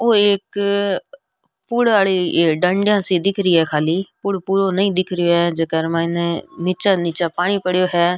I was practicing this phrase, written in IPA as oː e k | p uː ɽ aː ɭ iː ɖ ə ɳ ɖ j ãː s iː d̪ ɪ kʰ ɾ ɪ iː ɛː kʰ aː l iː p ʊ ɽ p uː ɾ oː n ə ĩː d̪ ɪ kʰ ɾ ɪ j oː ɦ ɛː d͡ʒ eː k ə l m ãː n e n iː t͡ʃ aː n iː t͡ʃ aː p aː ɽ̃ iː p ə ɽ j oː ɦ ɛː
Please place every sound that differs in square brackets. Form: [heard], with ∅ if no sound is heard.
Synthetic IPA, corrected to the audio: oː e k | p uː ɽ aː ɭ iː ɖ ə ɳ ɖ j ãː s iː d̪ ɪ kʰ ɾ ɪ iː ɛː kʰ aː l iː p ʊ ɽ p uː ɾ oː n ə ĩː d̪ ɪ kʰ ɾ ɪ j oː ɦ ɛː d͡ʒ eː k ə [ɾ] m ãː n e n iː t͡ʃ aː n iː t͡ʃ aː p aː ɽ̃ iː p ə ɽ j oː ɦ ɛː